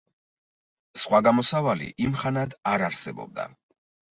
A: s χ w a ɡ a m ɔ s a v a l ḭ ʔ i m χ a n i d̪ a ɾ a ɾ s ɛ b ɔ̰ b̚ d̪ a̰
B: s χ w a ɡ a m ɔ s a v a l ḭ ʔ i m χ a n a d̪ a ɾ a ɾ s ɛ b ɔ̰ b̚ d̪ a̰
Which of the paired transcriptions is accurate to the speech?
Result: B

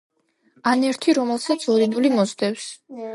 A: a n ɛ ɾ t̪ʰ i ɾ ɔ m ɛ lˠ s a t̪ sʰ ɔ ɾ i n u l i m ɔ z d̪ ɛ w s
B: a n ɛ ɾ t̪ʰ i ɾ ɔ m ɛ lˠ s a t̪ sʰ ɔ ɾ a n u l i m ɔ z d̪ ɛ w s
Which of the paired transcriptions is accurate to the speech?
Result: A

